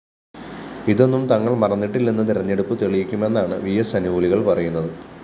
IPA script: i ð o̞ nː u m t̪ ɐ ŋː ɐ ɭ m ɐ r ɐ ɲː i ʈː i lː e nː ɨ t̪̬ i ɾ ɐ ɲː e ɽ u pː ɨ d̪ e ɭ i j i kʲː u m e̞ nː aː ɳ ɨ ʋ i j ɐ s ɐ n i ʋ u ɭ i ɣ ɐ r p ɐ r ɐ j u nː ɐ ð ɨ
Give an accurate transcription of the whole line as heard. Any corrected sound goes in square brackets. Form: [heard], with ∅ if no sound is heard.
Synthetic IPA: i ð o̞ nː u m t̪ ɐ ŋː ɐ ɭ m ɐ r ɐ [nː] i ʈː i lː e nː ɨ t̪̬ i ɾ ɐ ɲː e ɽ u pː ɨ [t̪] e ɭ i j i kʲː u m e̞ nː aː ɳ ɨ ʋ i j ɐ s ɐ n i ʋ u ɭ i ɣ ɐ [ɭ] p ɐ r ɐ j u nː ɐ ð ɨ